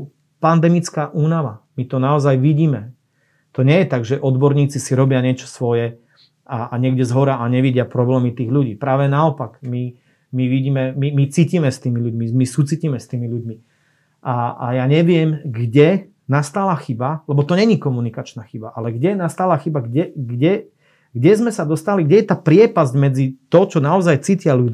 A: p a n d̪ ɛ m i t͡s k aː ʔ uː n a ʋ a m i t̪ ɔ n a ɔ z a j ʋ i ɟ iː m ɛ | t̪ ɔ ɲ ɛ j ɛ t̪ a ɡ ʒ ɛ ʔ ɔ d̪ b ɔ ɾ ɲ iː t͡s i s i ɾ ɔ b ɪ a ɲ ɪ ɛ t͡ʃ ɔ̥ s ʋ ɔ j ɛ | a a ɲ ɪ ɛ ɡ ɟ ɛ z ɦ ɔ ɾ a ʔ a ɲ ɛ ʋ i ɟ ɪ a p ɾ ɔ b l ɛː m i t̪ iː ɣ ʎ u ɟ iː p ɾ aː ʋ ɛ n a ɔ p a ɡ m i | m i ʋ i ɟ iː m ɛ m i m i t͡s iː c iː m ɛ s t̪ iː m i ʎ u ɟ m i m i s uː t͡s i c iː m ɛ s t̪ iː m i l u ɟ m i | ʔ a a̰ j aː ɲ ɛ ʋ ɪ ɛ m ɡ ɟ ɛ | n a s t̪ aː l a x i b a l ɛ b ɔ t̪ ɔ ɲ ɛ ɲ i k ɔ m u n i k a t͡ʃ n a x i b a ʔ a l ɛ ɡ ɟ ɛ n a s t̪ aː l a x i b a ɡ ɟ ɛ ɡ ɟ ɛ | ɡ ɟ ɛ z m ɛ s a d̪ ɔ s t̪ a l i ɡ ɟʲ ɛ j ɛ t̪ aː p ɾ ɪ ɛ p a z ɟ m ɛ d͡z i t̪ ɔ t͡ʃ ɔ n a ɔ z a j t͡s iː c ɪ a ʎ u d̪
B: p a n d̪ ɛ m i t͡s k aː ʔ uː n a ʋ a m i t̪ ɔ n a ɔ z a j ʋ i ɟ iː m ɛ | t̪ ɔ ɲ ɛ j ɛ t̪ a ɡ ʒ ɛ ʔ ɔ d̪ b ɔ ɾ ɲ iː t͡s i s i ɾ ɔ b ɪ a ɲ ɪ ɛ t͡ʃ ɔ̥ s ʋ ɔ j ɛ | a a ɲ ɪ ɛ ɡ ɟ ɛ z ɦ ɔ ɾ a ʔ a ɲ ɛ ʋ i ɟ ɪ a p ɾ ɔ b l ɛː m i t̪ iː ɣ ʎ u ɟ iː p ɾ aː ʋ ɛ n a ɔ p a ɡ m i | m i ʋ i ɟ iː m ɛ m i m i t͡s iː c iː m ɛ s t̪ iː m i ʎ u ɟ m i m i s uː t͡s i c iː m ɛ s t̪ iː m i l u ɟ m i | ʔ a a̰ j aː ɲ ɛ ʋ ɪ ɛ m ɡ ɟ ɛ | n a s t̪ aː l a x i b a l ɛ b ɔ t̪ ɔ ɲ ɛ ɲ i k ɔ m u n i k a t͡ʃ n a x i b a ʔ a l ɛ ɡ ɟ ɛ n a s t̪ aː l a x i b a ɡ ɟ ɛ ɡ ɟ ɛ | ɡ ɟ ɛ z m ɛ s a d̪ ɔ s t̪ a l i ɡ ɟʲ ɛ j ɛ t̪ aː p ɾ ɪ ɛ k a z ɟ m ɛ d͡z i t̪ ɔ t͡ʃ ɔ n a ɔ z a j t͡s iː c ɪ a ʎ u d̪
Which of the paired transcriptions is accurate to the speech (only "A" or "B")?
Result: A